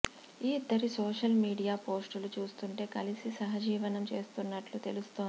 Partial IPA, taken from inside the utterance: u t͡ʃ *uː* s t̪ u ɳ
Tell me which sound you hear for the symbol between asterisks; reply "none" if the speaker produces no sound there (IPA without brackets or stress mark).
uː